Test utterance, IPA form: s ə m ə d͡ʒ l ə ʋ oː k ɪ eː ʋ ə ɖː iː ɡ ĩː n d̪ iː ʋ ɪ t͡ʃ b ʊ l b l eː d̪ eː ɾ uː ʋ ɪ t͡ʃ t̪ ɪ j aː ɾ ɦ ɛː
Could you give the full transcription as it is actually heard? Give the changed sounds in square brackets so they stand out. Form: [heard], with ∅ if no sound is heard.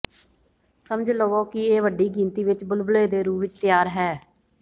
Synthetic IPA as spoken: s ə m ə d͡ʒ l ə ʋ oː k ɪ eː ʋ ə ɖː iː ɡ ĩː n [t̪] iː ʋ ɪ t͡ʃ b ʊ l b l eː d̪ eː ɾ uː ʋ ɪ t͡ʃ t̪ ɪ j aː ɾ ɦ ɛː

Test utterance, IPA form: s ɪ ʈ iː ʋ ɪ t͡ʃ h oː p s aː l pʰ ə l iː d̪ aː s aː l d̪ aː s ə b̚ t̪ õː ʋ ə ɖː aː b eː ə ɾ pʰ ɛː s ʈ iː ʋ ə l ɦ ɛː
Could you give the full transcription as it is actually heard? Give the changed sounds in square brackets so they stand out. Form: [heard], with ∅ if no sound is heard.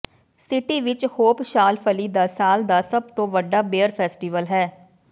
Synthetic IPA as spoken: s ɪ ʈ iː ʋ ɪ t͡ʃ h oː p [ʃ] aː l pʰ ə l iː d̪ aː s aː l d̪ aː s ə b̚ t̪ õː ʋ ə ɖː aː b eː ə ɾ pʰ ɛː s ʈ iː ʋ ə l ɦ ɛː

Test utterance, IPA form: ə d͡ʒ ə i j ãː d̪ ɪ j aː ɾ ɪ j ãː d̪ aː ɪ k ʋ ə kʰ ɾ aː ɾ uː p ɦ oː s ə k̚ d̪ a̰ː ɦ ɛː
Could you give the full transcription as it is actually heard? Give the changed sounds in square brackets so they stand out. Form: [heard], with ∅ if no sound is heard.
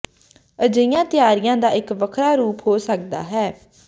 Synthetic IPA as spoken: ə d͡ʒ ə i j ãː [t̪] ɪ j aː ɾ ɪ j ãː d̪ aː ɪ k ʋ ə kʰ ɾ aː ɾ uː p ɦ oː s ə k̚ d̪ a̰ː ɦ ɛː

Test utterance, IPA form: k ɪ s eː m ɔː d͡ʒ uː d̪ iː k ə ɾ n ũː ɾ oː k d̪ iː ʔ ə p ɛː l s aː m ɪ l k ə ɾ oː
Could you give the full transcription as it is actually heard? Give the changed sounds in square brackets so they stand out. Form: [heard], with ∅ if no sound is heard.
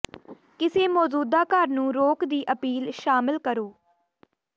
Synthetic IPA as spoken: k ɪ s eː m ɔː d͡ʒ uː d̪ [aː] k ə ɾ n ũː ɾ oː k d̪ iː ʔ ə p [iː] l [ʃ] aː m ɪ l k ə ɾ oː

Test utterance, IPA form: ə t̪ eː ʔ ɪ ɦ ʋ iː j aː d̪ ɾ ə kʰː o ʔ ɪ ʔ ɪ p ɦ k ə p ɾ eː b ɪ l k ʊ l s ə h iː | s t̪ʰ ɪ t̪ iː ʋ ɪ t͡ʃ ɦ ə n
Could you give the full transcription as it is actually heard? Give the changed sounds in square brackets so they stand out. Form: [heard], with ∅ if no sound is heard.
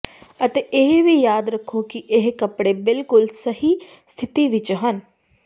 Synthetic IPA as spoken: ə t̪ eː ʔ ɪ ɦ ʋ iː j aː d̪ ɾ ə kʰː o [k] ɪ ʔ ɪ [∅] ɦ k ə p [ɽ] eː b ɪ l k ʊ l s ə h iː | s t̪ʰ ɪ t̪ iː ʋ ɪ t͡ʃ ɦ ə n

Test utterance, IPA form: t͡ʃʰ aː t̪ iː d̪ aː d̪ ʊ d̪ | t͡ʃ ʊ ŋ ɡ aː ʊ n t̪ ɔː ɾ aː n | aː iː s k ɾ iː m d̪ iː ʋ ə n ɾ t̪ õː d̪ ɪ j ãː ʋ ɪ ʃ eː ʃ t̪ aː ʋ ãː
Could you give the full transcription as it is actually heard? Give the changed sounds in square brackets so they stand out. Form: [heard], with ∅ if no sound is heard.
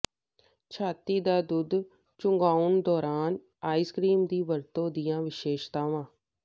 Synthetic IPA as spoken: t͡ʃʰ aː t̪ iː d̪ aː d̪ ʊ d̪ | t͡ʃ ʊ ŋ ɡ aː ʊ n [d̪] ɔː ɾ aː n | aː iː s k ɾ iː m d̪ iː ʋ ə [∅] ɾ t̪ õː d̪ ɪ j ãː ʋ ɪ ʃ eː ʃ t̪ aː ʋ ãː

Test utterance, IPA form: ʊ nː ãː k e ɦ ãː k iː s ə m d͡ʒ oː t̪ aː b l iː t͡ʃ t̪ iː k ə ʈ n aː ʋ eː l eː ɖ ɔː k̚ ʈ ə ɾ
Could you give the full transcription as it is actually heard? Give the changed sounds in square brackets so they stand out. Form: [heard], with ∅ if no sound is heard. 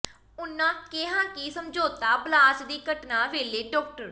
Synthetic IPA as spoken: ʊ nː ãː k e ɦ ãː k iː s ə m d͡ʒ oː t̪ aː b l [aː] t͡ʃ [d̪] iː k ə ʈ n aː ʋ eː l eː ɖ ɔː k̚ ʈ ə ɾ

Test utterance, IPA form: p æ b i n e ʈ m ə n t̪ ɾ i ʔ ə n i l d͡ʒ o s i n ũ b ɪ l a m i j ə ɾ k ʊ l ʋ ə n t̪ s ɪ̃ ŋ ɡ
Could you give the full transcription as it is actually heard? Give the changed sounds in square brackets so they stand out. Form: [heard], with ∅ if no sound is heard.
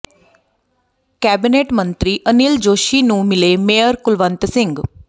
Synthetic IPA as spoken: [k] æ b i n e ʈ m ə n t̪ ɾ i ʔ ə n i l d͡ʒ o [ʃ] i n ũ [m] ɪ l [e] m [e] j ə ɾ k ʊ l ʋ ə n t̪ s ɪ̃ ŋ ɡ

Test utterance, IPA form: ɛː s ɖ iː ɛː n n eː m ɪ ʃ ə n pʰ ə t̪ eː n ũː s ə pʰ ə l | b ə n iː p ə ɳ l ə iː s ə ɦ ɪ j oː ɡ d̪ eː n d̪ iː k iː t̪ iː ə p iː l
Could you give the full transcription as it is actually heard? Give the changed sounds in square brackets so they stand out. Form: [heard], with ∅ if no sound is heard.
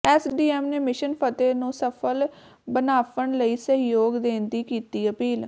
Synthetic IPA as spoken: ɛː s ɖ iː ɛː [m] n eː m ɪ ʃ ə n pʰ ə t̪ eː n ũː s ə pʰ ə l | b ə n [aː] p ə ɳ l ə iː s ə ɦ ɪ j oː ɡ d̪ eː n d̪ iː k iː t̪ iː ə p iː l

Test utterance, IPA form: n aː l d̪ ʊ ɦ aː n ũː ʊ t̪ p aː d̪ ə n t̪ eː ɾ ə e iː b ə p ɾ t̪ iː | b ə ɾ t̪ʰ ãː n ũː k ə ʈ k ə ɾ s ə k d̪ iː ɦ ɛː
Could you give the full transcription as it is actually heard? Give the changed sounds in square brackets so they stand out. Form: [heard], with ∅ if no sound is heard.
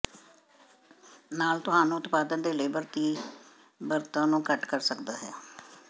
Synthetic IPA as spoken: n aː l [t̪] ʊ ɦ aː n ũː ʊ t̪ p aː d̪ ə n [d̪] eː [l] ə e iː b ə [∅] ɾ t̪ iː | b ə ɾ [t̪] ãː n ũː k ə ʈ k ə ɾ s ə k d̪ [aː] ɦ ɛː

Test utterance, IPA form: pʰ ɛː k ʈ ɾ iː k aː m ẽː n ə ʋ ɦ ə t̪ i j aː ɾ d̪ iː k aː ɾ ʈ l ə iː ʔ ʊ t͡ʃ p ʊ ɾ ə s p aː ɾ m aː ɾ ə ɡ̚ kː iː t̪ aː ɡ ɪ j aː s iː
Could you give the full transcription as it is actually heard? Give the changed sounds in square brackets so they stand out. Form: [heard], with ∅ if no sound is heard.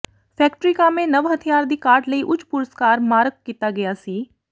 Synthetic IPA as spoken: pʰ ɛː k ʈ ɾ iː k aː m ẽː n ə ʋ ɦ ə [t̪ʰ] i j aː ɾ d̪ iː k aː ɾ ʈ l ə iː ʔ ʊ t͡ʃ p ʊ ɾ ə s [k] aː ɾ m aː ɾ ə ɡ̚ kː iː t̪ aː ɡ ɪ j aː s iː

